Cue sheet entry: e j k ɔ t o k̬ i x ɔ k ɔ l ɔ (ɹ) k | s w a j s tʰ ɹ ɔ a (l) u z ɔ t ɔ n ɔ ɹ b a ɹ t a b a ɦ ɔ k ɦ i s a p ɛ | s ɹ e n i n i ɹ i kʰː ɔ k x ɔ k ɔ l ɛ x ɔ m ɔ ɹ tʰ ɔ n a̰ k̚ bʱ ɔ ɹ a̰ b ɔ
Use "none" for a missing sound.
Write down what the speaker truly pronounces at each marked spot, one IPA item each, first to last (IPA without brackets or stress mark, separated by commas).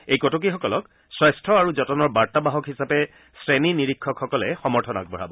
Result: none, ɹ